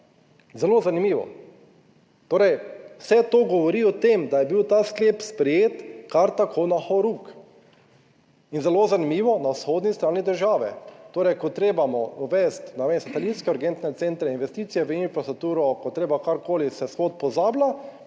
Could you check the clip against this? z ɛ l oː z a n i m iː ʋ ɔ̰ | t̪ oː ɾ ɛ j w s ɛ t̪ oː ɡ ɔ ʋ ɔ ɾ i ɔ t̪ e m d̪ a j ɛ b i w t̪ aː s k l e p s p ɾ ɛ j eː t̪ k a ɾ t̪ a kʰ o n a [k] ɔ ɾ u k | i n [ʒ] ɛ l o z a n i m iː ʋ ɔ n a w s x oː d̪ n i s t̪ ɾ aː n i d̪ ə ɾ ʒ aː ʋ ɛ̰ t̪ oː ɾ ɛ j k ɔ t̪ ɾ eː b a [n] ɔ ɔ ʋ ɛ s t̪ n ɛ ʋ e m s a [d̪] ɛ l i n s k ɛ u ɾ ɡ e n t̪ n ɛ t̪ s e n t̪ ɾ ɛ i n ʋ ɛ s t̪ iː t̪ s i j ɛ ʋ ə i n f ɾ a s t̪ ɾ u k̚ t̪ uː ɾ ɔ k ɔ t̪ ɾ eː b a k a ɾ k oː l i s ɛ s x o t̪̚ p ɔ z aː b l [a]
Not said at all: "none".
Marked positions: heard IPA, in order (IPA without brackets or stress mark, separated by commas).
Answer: x, z, m, t̪, a